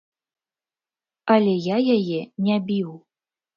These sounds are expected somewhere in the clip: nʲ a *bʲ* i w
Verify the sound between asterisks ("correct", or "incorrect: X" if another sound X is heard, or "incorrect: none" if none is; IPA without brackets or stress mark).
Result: correct